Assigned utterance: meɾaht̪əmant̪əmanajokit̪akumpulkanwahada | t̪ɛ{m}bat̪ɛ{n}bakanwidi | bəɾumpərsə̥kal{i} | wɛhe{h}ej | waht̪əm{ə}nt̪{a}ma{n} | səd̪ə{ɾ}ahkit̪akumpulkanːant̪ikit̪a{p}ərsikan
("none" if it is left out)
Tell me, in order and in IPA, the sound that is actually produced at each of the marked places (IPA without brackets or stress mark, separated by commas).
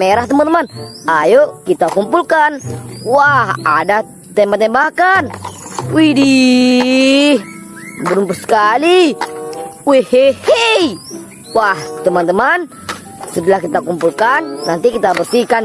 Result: m, m, i, h, a, ə, n, l, b